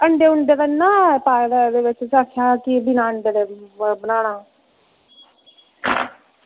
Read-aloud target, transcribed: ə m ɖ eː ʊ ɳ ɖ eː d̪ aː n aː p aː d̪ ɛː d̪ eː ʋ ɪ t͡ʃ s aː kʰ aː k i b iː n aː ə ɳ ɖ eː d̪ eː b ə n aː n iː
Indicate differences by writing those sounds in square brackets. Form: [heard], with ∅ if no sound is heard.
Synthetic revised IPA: ə [ɳ] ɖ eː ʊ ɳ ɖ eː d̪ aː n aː p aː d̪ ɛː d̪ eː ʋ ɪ t͡ʃ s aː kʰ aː k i b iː n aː ə ɳ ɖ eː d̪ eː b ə n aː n [aː]